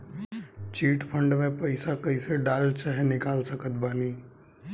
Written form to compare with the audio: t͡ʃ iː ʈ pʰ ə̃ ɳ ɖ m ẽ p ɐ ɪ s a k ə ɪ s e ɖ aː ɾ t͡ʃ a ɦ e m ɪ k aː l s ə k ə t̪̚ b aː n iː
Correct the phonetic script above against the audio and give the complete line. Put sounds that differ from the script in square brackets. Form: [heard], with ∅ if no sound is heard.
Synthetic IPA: t͡ʃ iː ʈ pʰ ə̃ ɳ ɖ m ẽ p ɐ ɪ s a k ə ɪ s e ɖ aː [l] t͡ʃ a ɦ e [n] ɪ k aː l s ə k ə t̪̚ b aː n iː